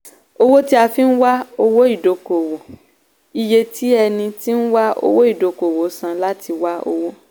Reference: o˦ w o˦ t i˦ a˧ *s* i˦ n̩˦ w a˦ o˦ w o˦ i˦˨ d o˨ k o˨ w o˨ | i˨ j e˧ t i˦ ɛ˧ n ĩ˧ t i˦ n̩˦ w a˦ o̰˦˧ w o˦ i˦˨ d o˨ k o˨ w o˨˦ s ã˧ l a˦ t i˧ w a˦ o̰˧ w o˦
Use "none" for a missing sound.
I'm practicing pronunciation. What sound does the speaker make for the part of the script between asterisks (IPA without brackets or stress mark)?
f